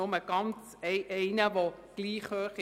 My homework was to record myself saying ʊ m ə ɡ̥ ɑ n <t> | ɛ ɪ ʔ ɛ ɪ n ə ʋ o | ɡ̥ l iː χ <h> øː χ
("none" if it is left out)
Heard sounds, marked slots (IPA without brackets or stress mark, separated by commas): t͡s, h